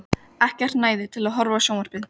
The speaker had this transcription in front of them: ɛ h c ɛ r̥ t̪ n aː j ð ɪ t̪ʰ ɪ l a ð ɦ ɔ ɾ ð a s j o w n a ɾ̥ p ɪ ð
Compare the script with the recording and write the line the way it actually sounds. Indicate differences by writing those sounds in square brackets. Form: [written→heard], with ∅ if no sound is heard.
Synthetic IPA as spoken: ɛ h c ɛ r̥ t̪ n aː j ð ɪ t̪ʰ ɪ l a ð ɦ ɔ ɾ [ð→v] a s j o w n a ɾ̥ p ɪ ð